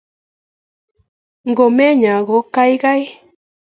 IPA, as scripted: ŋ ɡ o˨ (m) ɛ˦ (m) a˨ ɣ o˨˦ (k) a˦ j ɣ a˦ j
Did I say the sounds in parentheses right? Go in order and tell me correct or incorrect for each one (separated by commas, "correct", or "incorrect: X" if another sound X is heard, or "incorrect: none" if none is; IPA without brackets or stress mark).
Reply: correct, incorrect: ɲ, correct